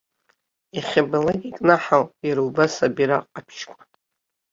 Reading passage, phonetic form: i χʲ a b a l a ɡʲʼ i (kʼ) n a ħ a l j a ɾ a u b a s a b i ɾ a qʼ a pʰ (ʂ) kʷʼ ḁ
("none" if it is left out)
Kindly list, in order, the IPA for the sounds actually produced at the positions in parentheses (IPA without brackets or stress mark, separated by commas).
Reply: kʼ, ʃ